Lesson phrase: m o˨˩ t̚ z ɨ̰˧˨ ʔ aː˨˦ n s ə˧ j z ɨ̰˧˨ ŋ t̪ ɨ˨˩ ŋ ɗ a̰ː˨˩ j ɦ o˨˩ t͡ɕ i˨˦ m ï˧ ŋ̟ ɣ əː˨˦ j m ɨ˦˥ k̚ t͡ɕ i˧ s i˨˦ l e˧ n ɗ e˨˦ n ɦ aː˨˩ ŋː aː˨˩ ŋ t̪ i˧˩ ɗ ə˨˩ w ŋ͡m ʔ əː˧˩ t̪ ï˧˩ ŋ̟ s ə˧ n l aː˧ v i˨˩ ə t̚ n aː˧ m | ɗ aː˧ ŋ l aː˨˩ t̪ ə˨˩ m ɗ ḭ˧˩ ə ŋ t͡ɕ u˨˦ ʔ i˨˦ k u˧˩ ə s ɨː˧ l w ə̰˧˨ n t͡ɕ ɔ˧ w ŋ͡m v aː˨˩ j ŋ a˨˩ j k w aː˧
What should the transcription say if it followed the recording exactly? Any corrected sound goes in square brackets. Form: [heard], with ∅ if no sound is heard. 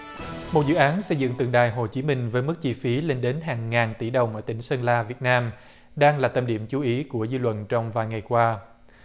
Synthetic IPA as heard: m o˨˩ t̚ z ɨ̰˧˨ ʔ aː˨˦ n s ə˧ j z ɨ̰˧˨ ŋ t̪ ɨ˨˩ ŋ ɗ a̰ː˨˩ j ɦ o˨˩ t͡ɕ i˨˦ m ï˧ ŋ̟ [v] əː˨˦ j m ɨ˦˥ k̚ t͡ɕ i˧ [f] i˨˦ l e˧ n ɗ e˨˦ n ɦ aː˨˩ ŋː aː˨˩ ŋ t̪ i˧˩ ɗ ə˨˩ w ŋ͡m ʔ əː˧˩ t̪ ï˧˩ ŋ̟ s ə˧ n l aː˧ v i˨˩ ə t̚ n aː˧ m | ɗ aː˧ ŋ l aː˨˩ t̪ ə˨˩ m ɗ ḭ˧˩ ə [m] t͡ɕ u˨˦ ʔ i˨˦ k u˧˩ ə [z] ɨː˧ l w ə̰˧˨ n t͡ɕ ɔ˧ w ŋ͡m v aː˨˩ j ŋ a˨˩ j k w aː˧